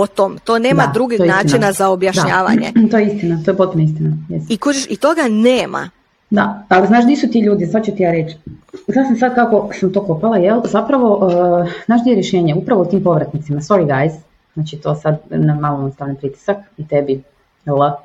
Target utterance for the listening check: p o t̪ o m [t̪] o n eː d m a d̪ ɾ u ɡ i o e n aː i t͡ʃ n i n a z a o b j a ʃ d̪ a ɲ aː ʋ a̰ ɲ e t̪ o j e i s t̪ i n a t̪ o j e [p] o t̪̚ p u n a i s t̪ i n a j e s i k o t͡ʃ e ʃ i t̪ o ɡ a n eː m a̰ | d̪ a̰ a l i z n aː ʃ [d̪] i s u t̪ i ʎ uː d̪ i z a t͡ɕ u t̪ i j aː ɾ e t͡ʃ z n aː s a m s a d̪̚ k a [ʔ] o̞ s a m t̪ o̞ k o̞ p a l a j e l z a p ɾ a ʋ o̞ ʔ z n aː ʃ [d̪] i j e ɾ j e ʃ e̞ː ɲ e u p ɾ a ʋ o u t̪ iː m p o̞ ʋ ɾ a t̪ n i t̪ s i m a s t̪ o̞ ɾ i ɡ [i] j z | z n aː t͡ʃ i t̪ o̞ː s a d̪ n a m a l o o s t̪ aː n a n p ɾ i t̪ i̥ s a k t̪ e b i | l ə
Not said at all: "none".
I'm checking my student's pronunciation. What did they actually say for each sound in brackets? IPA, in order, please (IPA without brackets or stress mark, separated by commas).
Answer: t̪, p, d̪, k, d̪, a